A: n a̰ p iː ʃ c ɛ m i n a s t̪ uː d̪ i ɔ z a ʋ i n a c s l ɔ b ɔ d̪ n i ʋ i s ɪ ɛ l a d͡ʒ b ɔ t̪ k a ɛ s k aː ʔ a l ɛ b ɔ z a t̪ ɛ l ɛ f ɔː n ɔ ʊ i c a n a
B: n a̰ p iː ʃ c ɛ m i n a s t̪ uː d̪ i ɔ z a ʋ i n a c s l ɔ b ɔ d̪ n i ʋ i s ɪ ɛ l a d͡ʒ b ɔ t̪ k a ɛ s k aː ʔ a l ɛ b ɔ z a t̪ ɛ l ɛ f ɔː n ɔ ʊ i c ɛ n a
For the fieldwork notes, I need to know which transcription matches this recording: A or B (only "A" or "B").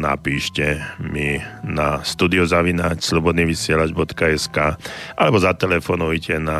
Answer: B